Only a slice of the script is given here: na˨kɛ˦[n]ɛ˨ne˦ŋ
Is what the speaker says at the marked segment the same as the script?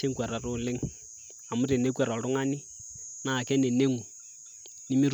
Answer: yes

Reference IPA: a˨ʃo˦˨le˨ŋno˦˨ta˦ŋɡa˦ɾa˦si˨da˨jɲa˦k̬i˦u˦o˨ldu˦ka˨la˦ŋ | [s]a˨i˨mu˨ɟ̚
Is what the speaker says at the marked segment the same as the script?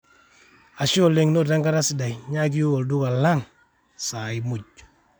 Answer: yes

